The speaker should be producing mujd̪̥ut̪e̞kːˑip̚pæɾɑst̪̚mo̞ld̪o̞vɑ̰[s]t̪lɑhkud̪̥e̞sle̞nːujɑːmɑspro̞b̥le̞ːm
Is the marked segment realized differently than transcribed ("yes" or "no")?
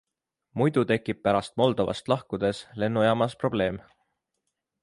no